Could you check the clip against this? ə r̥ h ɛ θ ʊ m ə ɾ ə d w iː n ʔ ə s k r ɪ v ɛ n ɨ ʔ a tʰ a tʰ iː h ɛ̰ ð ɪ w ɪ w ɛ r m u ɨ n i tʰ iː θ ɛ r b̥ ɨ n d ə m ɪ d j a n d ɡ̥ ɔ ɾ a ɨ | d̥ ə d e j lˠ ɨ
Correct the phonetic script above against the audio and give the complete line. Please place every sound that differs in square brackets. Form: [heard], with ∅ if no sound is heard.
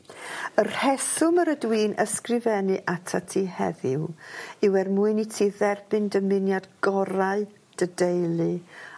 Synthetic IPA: ə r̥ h ɛ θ ʊ m ə ɾ ə d w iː n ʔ ə s k r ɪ v ɛ n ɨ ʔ a tʰ a tʰ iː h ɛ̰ ð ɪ w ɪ w ɛ r m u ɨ n i tʰ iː [ð] ɛ r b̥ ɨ n d ə m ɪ [n] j a [∅] d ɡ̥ ɔ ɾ a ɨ | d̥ ə d e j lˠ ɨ